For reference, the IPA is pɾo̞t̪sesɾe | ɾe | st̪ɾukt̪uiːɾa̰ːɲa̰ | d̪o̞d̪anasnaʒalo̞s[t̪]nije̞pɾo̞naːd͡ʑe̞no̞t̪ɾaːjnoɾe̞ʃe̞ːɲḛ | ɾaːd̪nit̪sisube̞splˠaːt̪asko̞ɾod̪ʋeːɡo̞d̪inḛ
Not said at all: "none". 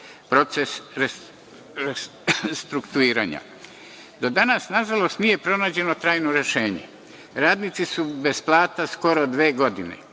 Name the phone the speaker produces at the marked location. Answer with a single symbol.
t̪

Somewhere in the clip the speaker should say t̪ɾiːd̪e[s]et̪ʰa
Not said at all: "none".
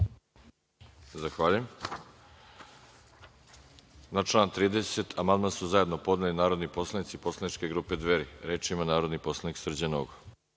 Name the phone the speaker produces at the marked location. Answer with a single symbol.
s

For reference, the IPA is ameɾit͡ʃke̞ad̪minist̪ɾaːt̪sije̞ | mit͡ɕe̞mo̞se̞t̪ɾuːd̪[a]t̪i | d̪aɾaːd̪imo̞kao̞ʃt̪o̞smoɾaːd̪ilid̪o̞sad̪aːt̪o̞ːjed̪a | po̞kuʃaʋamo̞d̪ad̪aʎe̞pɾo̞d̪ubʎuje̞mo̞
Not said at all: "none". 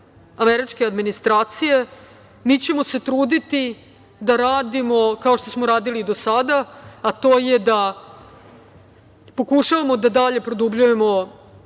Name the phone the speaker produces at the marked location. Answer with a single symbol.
i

